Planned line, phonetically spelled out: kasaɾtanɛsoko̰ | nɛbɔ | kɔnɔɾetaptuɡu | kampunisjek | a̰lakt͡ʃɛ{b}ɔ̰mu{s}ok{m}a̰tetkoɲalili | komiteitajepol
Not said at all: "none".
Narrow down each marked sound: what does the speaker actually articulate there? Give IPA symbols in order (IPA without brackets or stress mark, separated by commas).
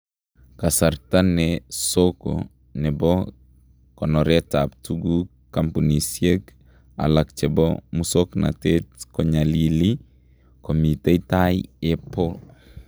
b, s, n